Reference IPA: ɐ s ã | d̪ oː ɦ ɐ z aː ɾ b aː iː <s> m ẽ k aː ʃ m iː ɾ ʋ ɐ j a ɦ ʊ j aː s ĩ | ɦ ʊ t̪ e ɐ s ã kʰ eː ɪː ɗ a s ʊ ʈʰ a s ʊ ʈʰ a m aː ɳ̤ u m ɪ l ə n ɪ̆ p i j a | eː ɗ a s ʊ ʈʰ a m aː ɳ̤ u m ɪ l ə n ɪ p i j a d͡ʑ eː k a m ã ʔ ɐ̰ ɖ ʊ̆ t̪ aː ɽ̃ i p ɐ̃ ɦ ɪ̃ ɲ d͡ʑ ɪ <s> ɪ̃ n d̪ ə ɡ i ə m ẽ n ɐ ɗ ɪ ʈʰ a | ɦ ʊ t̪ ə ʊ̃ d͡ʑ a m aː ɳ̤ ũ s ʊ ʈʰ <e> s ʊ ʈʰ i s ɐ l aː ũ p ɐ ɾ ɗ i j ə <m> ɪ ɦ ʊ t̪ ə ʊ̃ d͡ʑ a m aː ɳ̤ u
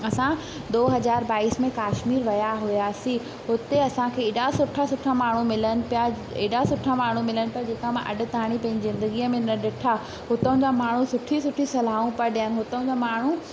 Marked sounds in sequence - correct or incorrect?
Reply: correct, incorrect: z, incorrect: i, incorrect: n

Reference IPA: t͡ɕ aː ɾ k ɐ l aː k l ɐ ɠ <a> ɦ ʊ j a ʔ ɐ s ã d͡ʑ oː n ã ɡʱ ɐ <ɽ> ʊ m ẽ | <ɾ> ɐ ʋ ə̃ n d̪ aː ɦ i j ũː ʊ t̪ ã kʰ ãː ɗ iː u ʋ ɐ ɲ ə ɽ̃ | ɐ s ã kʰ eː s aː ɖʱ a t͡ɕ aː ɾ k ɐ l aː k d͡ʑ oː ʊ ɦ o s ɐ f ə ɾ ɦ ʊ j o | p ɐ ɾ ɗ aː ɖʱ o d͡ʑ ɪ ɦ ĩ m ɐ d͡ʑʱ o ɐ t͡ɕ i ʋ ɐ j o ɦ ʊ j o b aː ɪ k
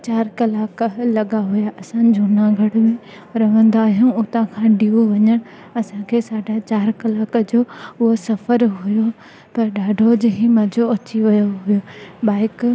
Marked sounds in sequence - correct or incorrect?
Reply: correct, correct, correct

